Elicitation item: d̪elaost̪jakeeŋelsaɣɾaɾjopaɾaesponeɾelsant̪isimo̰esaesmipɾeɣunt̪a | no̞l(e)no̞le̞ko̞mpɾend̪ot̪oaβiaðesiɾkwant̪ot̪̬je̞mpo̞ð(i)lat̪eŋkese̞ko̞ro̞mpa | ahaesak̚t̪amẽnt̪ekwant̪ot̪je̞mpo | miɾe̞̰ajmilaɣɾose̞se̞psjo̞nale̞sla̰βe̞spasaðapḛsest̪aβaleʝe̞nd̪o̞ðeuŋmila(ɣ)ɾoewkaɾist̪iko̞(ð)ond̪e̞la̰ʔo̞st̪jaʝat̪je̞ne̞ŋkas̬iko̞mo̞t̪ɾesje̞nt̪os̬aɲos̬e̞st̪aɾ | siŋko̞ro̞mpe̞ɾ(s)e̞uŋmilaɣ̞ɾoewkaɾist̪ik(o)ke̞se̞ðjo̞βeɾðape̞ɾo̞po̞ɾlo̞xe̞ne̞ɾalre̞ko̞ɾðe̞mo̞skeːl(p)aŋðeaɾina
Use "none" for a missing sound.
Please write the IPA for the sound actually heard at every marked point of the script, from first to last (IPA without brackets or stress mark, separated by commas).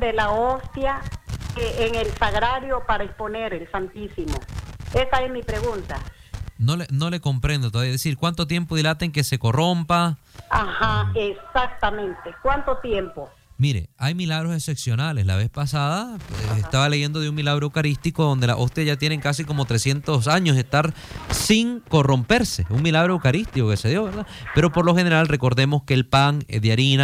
e, i, ɣ, ð, s, o, p